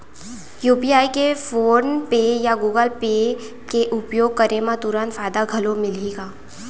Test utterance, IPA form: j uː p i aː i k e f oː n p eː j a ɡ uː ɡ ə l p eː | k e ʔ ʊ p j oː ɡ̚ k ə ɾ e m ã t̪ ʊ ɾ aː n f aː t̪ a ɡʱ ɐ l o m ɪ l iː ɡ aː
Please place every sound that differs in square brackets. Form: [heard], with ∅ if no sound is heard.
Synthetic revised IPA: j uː p i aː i k e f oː n p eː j a ɡ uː ɡ ə l p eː | k e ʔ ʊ p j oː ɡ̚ k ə ɾ e m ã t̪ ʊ ɾ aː n f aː [d̪] a ɡʱ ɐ l o m ɪ l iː ɡ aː